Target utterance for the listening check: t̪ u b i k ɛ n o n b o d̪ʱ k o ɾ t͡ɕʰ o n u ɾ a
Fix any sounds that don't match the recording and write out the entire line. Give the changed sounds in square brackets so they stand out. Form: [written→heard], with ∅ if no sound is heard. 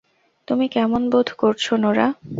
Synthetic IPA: t̪ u [b→m] i k ɛ [n→m] o n b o d̪ʱ k o ɾ t͡ɕʰ o n [u→o] ɾ a